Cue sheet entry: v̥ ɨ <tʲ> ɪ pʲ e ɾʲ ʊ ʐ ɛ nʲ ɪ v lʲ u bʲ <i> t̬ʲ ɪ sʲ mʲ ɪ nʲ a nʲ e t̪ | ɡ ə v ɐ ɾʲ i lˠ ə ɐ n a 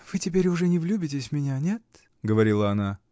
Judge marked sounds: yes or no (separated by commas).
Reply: yes, no